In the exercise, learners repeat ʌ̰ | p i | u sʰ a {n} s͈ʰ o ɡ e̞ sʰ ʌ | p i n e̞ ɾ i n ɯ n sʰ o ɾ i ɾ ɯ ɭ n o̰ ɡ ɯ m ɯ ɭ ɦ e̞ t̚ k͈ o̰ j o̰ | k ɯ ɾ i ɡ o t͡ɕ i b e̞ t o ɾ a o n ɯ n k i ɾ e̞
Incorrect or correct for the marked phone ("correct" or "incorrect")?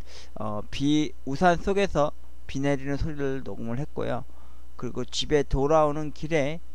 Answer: correct